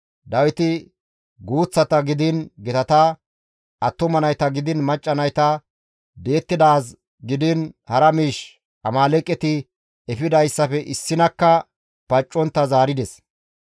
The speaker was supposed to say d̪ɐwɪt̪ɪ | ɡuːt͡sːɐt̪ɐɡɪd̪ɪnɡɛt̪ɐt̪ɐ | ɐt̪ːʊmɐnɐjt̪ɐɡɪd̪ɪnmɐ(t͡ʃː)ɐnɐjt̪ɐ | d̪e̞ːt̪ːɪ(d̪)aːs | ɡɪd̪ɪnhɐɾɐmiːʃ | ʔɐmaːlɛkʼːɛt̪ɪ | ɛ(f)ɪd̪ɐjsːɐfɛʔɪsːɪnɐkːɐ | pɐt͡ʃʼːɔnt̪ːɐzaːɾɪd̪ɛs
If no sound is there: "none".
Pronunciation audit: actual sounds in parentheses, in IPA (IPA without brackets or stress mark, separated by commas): t͡ʃʼː, d̪, f